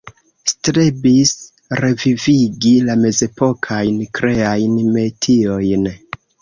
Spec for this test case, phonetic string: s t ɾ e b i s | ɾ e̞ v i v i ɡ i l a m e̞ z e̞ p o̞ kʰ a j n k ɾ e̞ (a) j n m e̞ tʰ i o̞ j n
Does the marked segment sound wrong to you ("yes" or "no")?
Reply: no